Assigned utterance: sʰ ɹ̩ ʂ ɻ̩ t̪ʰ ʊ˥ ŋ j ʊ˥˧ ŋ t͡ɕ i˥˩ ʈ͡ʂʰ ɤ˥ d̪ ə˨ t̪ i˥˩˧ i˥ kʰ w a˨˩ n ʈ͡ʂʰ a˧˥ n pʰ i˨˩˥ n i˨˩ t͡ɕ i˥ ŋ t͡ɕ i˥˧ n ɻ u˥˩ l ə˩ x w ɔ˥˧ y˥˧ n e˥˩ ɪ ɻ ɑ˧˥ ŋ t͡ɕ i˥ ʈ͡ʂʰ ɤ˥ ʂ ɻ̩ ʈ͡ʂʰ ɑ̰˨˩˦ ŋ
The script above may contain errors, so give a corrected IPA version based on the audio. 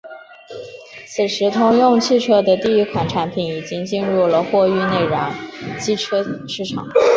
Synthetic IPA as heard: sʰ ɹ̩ ʂ ɻ̩ t̪ʰ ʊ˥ ŋ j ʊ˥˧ ŋ t͡ɕʰ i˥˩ ʈ͡ʂʰ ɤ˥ d̪ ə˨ t̪ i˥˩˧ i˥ kʰ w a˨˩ n ʈ͡ʂʰ a˧˥ n pʰ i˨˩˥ n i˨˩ t͡ɕ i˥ ŋ t͡ɕ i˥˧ n ɻ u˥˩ l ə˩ x w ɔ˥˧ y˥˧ n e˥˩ ɪ ɻ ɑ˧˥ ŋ t͡ɕ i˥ ʈ͡ʂʰ ɤ˥ ʂ ɻ̩ ʈ͡ʂʰ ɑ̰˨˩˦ ŋ